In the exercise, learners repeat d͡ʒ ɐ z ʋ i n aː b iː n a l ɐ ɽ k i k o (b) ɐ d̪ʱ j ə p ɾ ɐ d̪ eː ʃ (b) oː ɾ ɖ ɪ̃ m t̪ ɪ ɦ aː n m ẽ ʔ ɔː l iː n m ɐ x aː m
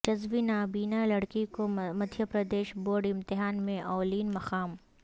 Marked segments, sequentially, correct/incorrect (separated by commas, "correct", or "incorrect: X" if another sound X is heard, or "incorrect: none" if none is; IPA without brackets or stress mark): incorrect: m, correct